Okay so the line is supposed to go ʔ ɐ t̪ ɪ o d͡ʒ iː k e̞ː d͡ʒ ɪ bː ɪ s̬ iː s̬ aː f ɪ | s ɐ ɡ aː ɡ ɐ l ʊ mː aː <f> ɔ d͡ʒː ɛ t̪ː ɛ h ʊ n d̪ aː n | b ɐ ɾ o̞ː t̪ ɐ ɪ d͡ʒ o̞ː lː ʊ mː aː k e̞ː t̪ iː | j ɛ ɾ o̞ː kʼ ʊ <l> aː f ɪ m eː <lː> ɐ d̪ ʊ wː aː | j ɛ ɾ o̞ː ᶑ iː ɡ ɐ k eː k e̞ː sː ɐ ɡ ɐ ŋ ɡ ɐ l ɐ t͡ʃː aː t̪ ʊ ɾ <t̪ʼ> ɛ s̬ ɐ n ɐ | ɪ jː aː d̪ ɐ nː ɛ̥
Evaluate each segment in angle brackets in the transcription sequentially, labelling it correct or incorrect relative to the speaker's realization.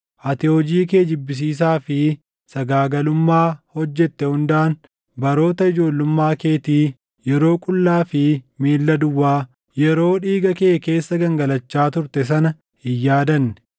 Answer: incorrect: h, incorrect: lː, correct, incorrect: t̪

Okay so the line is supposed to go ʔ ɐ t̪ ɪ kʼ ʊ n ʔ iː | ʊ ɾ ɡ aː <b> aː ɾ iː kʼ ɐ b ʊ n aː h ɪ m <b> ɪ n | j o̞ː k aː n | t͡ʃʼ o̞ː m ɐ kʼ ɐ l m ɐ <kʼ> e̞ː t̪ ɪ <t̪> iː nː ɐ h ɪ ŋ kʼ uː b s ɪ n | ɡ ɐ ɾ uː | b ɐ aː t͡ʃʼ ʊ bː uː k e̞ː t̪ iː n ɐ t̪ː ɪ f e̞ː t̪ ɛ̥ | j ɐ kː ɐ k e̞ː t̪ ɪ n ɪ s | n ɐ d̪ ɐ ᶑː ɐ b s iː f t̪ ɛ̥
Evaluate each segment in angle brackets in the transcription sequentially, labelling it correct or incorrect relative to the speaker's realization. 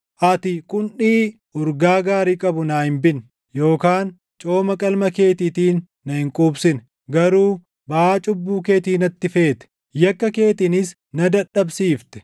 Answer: incorrect: ɡ, correct, incorrect: k, correct

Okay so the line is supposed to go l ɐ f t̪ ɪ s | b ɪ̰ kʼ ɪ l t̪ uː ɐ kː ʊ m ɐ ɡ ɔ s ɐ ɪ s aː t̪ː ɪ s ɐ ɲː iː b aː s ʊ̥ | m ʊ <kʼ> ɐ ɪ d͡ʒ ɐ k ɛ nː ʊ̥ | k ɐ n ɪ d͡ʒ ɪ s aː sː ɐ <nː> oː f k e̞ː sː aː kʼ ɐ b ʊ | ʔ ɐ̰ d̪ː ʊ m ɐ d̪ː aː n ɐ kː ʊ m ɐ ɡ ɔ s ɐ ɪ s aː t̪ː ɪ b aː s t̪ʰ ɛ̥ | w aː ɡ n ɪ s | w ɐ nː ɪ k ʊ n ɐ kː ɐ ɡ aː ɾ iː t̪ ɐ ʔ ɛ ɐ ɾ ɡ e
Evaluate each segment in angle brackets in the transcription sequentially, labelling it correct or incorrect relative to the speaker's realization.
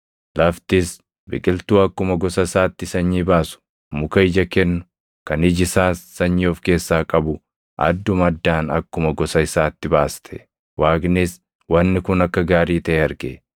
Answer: incorrect: k, incorrect: ɲː

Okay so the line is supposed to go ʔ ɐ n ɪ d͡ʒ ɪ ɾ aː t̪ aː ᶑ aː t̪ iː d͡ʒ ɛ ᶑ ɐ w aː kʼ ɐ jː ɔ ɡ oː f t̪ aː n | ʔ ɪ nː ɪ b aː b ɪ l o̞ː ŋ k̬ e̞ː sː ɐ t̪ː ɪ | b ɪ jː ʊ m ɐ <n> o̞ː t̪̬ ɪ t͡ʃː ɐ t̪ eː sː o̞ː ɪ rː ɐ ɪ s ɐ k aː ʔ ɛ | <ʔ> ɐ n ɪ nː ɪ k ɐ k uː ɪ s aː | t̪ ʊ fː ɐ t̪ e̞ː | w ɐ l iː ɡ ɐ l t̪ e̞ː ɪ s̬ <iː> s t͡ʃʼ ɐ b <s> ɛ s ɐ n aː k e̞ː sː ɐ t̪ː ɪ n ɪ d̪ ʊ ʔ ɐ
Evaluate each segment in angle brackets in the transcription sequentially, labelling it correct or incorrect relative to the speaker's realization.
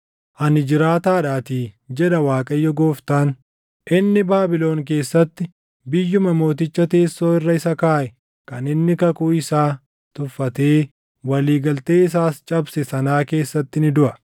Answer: incorrect: m, incorrect: k, incorrect: aː, correct

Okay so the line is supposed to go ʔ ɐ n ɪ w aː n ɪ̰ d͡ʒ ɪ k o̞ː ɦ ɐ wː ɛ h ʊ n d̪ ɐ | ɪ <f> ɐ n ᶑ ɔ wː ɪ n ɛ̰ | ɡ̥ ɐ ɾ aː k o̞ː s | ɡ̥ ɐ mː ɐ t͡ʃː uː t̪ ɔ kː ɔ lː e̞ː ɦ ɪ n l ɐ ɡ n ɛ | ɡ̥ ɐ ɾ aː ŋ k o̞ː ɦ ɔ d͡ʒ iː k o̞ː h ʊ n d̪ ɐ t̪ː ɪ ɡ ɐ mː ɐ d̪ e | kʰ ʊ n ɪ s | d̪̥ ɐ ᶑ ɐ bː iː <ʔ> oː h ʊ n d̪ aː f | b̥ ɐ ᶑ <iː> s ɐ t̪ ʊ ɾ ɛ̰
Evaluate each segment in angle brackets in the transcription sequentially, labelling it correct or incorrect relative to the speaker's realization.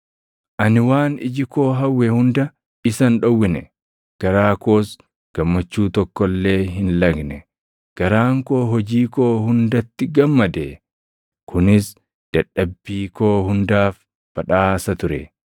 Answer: incorrect: s, incorrect: k, incorrect: aː

